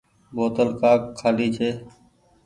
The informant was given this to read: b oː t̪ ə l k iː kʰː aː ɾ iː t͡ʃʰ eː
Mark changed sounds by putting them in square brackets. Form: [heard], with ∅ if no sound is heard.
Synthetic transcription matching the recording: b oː t̪ ə l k [aː] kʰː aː [l] iː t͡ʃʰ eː